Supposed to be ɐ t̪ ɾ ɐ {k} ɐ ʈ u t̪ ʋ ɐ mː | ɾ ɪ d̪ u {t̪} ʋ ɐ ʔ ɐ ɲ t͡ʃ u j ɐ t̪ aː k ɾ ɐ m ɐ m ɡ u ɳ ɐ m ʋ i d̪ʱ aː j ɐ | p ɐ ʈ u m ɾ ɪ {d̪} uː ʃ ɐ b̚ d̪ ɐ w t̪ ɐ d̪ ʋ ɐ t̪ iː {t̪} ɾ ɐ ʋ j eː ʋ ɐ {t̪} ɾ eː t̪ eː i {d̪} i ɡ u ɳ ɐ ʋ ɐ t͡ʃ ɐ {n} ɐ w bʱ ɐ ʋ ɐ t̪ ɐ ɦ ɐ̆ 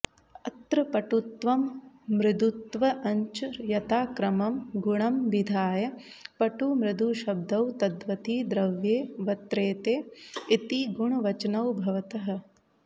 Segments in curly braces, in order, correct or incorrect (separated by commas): incorrect, correct, correct, incorrect, correct, incorrect, correct